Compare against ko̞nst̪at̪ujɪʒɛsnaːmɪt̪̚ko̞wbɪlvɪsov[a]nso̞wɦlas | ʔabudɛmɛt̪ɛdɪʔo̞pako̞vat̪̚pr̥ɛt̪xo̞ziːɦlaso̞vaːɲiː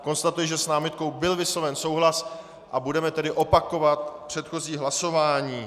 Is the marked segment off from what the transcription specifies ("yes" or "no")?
yes